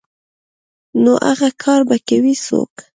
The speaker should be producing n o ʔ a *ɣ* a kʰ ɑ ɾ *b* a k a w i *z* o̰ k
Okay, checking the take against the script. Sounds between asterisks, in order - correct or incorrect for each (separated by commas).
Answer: correct, correct, incorrect